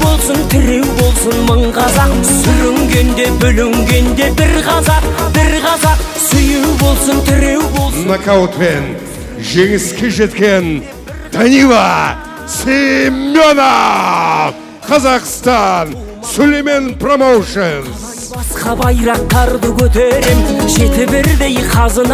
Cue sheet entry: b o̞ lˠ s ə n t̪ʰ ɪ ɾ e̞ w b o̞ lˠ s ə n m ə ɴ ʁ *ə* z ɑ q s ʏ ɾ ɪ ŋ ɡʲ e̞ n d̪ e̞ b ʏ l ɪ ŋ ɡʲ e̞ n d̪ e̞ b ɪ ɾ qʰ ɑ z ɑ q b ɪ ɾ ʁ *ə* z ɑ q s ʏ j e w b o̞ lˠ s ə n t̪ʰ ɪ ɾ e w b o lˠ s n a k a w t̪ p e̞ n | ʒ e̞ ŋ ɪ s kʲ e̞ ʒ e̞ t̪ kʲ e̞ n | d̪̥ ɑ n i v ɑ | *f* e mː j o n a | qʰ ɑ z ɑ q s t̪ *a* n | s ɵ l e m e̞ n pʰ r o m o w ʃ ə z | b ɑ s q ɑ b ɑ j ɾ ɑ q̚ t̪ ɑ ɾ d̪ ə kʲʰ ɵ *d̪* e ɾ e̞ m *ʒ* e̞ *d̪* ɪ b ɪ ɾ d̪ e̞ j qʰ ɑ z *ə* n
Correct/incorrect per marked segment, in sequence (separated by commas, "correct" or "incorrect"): incorrect, incorrect, incorrect, incorrect, incorrect, correct, incorrect, correct